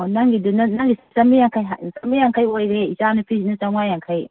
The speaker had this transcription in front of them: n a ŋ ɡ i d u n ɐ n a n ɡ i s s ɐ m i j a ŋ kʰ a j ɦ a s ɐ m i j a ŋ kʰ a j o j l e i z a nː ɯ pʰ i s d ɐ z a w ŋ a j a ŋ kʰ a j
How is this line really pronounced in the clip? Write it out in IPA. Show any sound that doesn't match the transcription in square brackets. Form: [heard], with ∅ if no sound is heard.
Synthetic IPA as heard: n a ŋ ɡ i d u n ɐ n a [ŋ] ɡ i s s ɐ m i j a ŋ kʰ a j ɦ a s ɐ m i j a ŋ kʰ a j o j [ɾ] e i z a [n] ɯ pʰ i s [n] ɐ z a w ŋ a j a ŋ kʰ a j